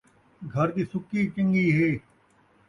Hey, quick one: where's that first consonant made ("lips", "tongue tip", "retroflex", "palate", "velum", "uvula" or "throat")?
velum